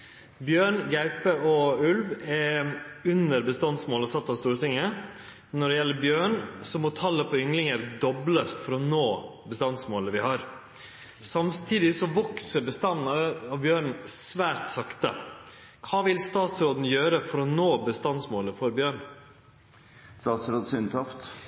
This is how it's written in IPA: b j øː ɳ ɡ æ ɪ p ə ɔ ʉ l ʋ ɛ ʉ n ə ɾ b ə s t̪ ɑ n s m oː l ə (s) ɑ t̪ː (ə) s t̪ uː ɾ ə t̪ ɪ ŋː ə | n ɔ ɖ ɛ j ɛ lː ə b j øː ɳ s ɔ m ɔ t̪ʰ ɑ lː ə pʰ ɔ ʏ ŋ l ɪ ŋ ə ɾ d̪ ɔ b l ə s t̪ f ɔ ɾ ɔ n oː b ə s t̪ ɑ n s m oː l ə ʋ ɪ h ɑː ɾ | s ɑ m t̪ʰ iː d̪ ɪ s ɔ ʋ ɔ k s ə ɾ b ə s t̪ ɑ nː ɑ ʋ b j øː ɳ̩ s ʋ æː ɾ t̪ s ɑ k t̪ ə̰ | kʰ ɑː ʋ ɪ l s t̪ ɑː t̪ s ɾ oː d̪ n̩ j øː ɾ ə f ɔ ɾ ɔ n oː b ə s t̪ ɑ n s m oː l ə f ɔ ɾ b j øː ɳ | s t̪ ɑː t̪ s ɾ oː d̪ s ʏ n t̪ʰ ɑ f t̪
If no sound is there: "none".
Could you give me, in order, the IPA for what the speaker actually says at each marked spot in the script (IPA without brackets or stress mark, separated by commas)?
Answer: s, ɑ